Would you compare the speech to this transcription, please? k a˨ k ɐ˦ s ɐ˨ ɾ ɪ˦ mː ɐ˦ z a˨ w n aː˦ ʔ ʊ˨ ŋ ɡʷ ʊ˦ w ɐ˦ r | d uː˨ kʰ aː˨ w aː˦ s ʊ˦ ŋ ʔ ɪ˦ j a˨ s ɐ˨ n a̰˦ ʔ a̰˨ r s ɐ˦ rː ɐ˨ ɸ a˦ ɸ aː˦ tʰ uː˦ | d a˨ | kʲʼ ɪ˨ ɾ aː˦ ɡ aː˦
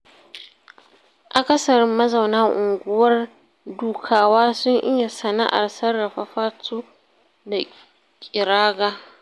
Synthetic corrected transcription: ʔ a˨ k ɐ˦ s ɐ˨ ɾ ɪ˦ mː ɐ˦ z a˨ w n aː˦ ʔ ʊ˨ ŋ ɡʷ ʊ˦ w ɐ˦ r | d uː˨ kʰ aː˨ w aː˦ s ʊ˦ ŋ ʔ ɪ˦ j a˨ s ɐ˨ n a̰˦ ʔ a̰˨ r s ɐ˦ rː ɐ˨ ɸ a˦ ɸ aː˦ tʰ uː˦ | d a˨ | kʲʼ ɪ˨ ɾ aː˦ ɡ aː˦